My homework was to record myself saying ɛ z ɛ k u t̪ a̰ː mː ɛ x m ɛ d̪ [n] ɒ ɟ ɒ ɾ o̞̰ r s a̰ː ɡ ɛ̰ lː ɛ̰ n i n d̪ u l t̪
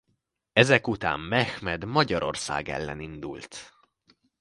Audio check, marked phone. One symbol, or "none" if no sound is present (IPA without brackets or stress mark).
m